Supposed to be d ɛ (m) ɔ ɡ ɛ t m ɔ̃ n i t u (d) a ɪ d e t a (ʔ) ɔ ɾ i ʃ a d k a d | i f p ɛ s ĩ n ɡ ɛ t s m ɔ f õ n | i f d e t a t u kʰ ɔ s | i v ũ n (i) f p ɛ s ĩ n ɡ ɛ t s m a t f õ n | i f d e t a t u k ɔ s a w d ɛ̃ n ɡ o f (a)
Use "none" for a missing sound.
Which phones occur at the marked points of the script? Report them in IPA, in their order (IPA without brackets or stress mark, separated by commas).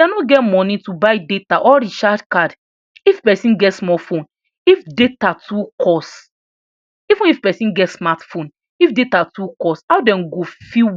n, b, ʔ, i, i